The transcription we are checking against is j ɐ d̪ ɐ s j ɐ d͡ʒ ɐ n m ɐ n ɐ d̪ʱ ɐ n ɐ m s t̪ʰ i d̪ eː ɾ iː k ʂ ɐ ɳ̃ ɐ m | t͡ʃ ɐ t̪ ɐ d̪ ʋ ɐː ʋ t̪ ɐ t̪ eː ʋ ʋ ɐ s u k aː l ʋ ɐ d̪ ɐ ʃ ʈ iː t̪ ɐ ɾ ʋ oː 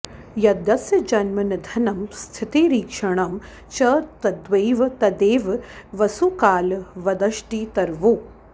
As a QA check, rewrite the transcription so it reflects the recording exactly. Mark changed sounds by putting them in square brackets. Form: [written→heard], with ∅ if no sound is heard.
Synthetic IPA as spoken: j ɐ d̪ ɐ s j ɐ d͡ʒ ɐ n m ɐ n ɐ d̪ʱ ɐ n ɐ m s t̪ʰ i [d̪→t̪] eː ɾ iː k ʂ ɐ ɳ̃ ɐ m | t͡ʃ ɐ t̪ ɐ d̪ ʋ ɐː ʋ t̪ ɐ [t̪→d̪] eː ʋ ʋ ɐ s u k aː l ʋ ɐ d̪ ɐ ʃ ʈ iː t̪ ɐ ɾ ʋ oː